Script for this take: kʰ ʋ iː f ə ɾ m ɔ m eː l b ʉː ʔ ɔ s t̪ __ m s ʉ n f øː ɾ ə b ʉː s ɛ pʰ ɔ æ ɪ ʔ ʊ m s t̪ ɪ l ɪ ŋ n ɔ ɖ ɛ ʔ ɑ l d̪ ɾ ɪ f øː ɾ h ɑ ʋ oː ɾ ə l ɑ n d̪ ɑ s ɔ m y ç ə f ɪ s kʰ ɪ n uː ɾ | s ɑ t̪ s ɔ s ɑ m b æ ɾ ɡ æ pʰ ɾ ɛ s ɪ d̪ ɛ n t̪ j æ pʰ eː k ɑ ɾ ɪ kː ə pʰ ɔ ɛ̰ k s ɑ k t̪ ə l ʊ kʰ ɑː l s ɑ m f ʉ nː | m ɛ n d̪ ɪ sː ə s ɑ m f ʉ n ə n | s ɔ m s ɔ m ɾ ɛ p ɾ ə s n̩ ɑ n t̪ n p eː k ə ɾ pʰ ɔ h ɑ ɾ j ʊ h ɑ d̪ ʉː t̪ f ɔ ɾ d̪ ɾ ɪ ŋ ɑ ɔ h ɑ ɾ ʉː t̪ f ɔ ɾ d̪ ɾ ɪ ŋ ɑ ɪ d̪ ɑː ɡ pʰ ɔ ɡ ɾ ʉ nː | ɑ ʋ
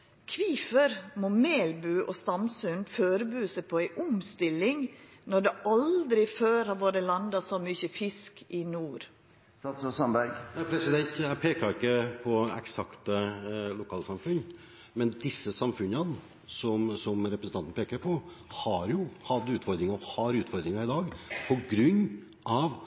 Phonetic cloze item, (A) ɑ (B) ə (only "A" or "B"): A